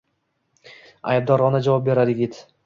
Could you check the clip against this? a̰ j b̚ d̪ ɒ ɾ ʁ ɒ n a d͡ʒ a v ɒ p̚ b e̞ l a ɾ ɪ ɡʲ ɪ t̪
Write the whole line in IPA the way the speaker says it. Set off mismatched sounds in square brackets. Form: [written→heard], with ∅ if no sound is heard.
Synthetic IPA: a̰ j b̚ d̪ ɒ ɾ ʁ ɒ n a d͡ʒ a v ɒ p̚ b e̞ [l→ɾ] a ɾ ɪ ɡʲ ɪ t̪